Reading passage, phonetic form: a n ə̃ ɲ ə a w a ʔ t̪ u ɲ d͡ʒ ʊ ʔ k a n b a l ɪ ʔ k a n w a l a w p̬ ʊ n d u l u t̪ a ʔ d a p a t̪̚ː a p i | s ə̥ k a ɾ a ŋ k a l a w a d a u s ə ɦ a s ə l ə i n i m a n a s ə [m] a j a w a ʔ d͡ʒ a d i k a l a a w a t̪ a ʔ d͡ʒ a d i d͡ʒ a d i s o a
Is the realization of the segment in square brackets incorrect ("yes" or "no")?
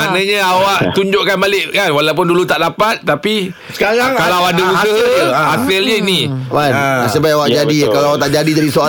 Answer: yes